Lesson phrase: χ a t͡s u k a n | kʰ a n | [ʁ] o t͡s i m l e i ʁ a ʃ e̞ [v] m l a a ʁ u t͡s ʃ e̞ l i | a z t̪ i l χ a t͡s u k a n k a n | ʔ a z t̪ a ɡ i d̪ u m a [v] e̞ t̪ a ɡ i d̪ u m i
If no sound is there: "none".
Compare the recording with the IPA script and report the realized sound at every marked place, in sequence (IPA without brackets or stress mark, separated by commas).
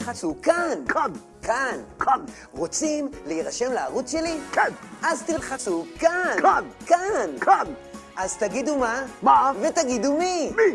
ʁ, none, v